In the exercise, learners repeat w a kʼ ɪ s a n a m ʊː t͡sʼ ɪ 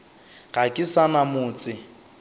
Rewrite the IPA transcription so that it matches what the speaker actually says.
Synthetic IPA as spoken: ɣ a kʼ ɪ s a n a m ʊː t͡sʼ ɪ